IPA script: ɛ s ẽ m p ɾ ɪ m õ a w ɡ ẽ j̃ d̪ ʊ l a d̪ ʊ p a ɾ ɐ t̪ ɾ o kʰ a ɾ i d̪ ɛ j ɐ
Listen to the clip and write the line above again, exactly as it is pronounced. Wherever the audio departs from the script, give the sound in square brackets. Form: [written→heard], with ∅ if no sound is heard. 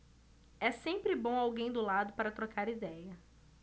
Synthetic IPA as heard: ɛ s ẽ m p ɾ ɪ [m→b] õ a w ɡ ẽ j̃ d̪ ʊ l a d̪ ʊ p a ɾ ɐ t̪ ɾ o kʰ a ɾ i d̪ ɛ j ɐ

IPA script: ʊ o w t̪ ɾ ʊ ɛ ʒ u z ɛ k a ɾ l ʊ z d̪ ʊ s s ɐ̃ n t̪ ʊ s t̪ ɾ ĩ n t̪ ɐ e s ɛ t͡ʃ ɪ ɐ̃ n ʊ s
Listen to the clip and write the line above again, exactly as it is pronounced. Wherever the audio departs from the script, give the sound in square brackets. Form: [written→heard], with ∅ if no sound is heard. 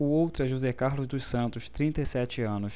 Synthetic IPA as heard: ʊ o w t̪ ɾ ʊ ɛ ʒ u z ɛ k a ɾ l ʊ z d̪ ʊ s s ɐ̃ n t̪ ʊ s t̪ ɾ ĩ n t̪ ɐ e s ɛ t͡ʃ ɪ ɐ̃ n ʊ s

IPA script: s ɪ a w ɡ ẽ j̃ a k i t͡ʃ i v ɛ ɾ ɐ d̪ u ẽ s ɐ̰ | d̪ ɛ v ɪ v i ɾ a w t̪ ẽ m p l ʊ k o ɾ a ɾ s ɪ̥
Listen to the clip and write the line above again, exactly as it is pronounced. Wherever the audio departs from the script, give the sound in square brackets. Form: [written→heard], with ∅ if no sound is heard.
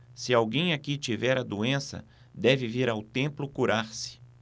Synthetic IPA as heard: s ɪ a w ɡ ẽ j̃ a k i t͡ʃ i v ɛ ɾ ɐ d̪ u ẽ s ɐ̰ | d̪ ɛ v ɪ v i ɾ a w t̪ ẽ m p l ʊ k [o→u] ɾ a ɾ s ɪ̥

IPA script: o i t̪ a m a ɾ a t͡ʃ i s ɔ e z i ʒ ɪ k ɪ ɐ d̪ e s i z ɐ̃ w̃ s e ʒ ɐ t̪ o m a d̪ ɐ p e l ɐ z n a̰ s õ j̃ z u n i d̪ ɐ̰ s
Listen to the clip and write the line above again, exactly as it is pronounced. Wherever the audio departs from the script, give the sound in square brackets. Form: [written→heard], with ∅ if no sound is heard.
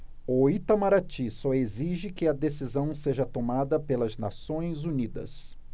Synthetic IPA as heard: o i t̪ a m a ɾ a t͡ʃ i s ɔ e z i ʒ ɪ k ɪ ɐ d̪ e s i z ɐ̃ w̃ s e ʒ ɐ t̪ o m a d̪ ɐ p e l ɐ z n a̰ s õ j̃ z u n i d̪ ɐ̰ s

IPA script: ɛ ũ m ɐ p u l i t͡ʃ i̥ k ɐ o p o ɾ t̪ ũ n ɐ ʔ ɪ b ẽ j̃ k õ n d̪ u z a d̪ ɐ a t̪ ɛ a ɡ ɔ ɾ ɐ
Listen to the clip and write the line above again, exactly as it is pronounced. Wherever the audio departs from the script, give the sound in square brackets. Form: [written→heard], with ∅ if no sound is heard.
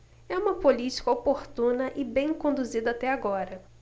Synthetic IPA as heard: ɛ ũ m ɐ p [u→o] l i t͡ʃ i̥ k ɐ o p o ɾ t̪ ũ n ɐ ʔ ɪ b ẽ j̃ k õ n d̪ u z [a→i] d̪ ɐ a t̪ ɛ a ɡ ɔ ɾ ɐ

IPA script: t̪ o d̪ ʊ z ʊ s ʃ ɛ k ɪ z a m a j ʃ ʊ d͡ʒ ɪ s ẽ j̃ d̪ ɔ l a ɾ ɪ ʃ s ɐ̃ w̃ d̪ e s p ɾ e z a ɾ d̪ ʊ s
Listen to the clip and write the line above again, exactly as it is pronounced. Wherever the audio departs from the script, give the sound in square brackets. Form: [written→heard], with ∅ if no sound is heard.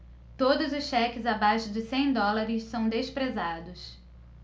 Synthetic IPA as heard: t̪ o d̪ ʊ z ʊ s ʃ ɛ k ɪ z a [m→b] a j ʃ ʊ d͡ʒ ɪ s ẽ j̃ d̪ ɔ l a ɾ ɪ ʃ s ɐ̃ w̃ d̪ e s p ɾ e z a [ɾ→∅] d̪ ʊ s

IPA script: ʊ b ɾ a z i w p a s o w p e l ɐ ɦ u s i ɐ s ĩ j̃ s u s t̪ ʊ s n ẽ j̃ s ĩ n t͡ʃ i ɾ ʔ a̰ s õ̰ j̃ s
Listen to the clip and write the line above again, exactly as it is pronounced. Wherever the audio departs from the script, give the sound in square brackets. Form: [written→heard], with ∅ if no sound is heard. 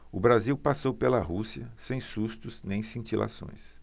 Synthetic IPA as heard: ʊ b ɾ a z i w p a s o w p e l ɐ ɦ u s i ɐ s [ĩ→ẽ] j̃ s u s t̪ ʊ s n ẽ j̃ s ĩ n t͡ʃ i [ɾ→l] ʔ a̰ s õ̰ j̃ s

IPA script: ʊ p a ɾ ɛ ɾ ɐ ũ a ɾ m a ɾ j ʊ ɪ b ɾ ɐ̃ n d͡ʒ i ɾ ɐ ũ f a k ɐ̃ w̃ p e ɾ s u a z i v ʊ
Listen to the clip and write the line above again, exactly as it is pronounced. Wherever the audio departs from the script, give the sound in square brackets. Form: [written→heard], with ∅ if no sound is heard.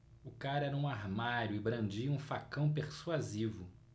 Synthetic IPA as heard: ʊ [p→k] a ɾ ɛ ɾ ɐ ũ a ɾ m a ɾ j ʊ ɪ b ɾ ɐ̃ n d͡ʒ i [ɾ→∅] ɐ ũ f a k ɐ̃ w̃ p e ɾ s u a z i v ʊ

